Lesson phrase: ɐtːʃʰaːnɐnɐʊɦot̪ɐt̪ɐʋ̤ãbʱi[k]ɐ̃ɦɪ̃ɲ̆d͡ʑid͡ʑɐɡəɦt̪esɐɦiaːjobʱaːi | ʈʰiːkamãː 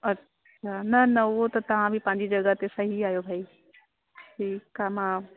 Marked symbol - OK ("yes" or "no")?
no